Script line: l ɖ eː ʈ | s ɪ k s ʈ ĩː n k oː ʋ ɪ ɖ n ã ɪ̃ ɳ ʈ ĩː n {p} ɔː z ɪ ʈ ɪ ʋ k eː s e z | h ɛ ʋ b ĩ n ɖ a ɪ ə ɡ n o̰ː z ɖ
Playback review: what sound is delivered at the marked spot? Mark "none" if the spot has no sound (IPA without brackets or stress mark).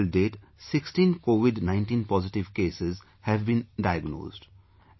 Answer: p